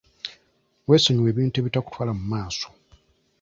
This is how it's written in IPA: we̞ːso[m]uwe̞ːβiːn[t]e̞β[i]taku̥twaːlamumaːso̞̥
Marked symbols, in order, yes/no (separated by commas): no, yes, yes